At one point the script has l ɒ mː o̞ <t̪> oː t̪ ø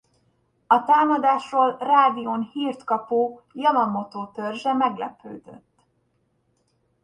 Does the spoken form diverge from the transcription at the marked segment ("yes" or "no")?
no